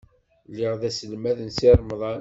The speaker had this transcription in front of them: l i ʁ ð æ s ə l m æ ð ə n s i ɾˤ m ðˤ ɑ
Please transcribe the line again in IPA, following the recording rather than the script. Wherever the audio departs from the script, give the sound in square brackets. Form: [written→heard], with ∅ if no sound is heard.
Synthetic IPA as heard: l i ʁ ð æ s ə l m æ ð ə n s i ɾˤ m ðˤ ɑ